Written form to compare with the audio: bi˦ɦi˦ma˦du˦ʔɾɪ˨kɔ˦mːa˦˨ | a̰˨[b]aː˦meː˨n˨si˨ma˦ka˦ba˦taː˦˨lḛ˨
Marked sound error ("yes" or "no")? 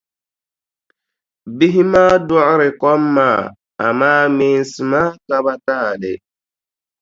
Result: yes